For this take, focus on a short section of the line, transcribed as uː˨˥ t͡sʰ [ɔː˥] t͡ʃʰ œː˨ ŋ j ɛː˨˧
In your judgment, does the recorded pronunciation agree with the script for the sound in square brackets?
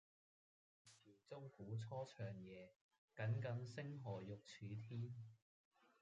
yes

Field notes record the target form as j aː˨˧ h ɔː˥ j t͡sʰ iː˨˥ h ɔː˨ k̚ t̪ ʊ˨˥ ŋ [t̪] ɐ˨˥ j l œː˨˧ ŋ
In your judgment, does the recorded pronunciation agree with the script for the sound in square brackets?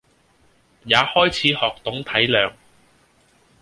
no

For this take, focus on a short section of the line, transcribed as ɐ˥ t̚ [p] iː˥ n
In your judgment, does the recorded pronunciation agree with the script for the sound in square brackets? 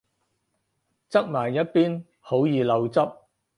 yes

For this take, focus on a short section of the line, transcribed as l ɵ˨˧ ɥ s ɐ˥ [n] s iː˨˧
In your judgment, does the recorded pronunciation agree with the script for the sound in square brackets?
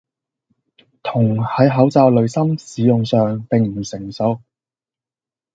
no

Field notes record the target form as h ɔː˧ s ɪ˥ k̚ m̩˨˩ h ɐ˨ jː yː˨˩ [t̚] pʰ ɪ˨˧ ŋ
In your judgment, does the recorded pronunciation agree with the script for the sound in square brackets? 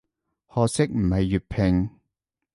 yes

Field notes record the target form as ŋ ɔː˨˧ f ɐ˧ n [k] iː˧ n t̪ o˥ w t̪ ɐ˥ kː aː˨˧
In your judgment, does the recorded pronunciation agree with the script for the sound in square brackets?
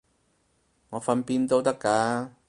no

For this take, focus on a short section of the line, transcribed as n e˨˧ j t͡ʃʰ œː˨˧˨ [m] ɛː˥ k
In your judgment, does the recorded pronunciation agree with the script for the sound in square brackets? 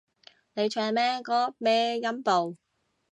yes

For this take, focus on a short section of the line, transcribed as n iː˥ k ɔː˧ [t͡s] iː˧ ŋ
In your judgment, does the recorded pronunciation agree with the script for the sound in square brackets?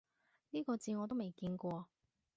yes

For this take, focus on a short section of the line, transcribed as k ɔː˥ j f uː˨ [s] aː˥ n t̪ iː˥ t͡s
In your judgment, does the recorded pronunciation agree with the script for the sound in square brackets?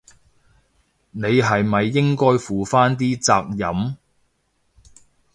no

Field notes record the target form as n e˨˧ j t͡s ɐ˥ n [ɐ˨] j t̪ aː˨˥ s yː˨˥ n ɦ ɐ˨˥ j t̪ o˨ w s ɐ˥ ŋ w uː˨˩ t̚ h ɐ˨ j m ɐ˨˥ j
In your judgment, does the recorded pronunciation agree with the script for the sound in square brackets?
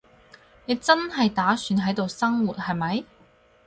yes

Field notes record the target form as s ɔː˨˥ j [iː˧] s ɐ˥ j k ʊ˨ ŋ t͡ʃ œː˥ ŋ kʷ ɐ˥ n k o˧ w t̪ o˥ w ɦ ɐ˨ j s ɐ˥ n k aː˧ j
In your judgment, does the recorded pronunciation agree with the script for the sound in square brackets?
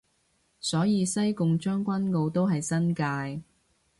yes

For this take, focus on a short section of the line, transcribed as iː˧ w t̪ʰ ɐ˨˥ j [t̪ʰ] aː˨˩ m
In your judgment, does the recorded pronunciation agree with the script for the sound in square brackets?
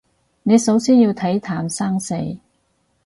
yes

